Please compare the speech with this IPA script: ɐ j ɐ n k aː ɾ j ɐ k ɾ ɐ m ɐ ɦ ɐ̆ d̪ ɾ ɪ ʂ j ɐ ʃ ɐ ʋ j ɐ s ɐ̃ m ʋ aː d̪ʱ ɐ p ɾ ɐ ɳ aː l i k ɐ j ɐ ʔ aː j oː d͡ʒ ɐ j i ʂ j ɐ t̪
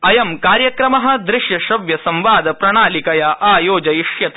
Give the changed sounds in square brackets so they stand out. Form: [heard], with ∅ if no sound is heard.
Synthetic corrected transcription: ɐ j ɐ [m] k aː ɾ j ɐ k ɾ ɐ m ɐ ɦ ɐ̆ d̪ ɾ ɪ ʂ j ɐ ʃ ɐ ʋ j ɐ s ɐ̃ m ʋ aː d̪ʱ ɐ p ɾ ɐ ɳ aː l i k ɐ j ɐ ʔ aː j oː d͡ʒ ɐ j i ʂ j ɐ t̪

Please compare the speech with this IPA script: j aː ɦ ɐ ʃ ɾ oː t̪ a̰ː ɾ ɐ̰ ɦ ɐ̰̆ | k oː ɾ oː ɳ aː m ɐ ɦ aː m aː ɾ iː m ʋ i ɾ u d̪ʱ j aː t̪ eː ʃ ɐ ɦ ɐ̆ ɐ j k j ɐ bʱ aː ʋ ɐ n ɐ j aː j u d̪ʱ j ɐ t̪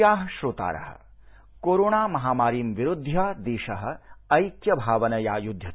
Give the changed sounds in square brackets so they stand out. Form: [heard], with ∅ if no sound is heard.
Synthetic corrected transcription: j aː ɦ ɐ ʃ ɾ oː t̪ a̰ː ɾ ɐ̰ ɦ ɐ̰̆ | k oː ɾ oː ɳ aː m ɐ ɦ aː m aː ɾ iː m ʋ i ɾ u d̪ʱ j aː [d̪] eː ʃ ɐ ɦ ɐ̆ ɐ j k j ɐ bʱ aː ʋ ɐ n ɐ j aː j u d̪ʱ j ɐ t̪

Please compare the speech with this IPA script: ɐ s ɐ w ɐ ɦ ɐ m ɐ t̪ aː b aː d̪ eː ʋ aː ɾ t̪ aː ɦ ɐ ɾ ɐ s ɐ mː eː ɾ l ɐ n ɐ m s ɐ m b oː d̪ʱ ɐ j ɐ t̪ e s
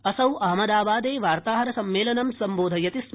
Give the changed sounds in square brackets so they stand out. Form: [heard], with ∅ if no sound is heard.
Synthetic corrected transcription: ɐ s ɐ w ɐ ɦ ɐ m ɐ [d̪] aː b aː d̪ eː ʋ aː ɾ t̪ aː ɦ ɐ ɾ ɐ s ɐ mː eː [∅] l ɐ n ɐ m s ɐ m b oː d̪ʱ ɐ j ɐ t̪ [i] s

